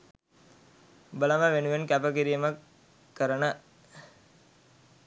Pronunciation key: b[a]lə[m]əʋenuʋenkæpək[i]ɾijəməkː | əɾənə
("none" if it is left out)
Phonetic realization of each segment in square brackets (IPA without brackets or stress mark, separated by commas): ə, m, i